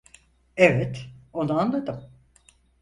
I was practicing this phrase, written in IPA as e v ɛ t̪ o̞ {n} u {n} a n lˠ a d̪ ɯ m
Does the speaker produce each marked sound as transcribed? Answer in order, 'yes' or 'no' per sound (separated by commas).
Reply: yes, no